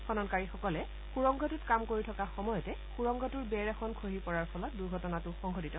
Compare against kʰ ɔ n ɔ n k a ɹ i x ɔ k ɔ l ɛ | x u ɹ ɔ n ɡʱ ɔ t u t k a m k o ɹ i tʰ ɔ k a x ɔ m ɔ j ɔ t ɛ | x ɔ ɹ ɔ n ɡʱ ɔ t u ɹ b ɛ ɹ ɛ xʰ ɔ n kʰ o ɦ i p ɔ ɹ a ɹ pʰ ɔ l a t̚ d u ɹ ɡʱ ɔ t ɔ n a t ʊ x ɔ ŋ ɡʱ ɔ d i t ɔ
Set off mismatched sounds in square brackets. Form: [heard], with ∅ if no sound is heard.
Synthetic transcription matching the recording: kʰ ɔ n ɔ n k a ɹ i x ɔ k ɔ l ɛ | x u ɹ ɔ [ŋ] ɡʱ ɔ t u t k a m k o ɹ i tʰ ɔ k a x ɔ m ɔ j ɔ t ɛ | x [u] ɹ ɔ [ŋ] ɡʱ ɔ t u ɹ b ɛ ɹ ɛ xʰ ɔ n kʰ o ɦ i p ɔ ɹ a ɹ pʰ ɔ l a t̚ d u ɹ ɡʱ ɔ t ɔ n a t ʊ x ɔ ŋ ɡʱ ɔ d i t ɔ